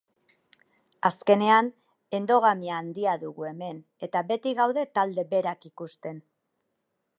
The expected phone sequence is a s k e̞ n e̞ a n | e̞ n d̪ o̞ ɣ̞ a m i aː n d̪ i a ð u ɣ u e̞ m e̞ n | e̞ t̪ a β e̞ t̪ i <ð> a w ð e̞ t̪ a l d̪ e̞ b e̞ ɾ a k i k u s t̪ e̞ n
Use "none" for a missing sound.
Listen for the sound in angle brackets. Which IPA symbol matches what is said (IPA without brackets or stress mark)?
ɣ